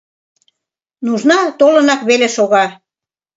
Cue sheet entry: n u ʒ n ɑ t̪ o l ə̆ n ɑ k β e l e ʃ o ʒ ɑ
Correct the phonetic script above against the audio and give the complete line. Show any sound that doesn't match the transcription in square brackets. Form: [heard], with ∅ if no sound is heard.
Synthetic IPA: n u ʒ n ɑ t̪ o l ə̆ n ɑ k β e l e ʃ o [ɣ] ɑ